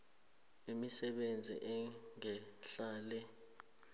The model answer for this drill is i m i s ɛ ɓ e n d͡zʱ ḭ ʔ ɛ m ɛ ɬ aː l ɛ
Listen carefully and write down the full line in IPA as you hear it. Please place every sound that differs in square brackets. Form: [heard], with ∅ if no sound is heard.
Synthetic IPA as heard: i m i s ɛ ɓ e n d͡zʱ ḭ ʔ ɛ [ŋ] ɛ ɬ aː l ɛ